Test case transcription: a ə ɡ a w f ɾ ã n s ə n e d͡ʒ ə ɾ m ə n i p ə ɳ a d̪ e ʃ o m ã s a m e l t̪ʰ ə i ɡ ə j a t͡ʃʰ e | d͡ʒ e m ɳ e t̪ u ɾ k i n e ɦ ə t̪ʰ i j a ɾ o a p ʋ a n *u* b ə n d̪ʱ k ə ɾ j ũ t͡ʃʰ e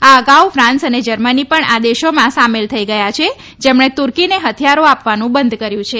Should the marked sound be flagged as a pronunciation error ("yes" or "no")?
yes